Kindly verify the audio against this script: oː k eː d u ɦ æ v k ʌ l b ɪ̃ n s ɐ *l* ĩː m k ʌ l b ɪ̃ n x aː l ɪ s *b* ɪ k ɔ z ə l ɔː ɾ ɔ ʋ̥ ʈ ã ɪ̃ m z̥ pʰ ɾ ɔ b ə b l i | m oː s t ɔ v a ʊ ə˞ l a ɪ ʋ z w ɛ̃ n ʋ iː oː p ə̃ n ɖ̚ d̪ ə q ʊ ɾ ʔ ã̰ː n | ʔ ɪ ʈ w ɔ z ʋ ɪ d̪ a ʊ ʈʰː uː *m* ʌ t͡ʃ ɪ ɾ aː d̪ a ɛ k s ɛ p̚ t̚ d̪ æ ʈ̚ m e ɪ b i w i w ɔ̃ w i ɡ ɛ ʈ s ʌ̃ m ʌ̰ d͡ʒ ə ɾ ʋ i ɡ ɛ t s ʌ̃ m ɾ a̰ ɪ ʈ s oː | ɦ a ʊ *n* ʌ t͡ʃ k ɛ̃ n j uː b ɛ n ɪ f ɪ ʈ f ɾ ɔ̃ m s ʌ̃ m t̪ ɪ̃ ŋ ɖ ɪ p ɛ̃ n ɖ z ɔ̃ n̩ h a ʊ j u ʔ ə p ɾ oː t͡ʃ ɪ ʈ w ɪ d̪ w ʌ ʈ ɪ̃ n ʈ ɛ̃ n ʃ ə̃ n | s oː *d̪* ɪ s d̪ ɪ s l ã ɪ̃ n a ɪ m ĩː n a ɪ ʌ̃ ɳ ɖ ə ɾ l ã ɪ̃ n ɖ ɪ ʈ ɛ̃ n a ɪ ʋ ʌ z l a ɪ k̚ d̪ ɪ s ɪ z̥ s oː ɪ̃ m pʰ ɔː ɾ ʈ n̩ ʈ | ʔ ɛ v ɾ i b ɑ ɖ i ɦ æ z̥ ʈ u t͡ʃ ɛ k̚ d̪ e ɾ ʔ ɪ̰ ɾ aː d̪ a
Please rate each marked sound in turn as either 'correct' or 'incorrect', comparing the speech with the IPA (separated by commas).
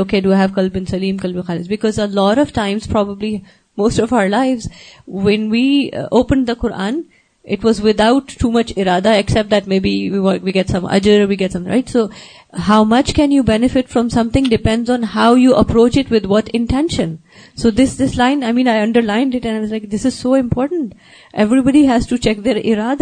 correct, correct, correct, incorrect, correct